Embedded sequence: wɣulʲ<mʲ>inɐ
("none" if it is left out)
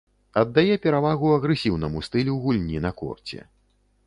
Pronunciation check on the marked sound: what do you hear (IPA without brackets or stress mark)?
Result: nʲ